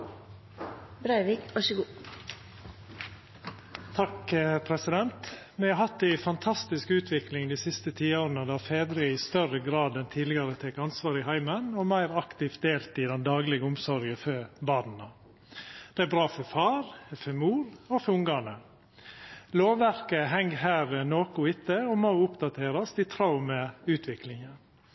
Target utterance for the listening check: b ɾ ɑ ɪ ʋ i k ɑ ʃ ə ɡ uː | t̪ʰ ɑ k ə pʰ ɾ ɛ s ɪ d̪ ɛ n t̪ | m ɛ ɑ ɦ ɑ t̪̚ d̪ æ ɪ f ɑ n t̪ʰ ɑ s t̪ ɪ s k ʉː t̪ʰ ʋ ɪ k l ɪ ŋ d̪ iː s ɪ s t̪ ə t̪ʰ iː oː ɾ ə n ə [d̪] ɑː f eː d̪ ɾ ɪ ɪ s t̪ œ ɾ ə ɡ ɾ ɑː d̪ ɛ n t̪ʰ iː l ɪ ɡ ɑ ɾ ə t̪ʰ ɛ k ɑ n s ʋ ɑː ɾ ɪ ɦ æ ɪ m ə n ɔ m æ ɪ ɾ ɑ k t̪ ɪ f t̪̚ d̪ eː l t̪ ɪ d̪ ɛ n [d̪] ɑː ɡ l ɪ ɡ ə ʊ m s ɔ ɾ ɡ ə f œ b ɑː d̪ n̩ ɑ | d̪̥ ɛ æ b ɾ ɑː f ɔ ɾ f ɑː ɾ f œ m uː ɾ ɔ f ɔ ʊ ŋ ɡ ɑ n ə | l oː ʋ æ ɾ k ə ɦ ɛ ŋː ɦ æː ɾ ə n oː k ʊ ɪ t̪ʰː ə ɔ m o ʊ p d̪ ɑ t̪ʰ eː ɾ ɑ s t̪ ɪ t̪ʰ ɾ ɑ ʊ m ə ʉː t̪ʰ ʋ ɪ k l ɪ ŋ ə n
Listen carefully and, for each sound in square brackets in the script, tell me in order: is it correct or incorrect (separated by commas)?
correct, correct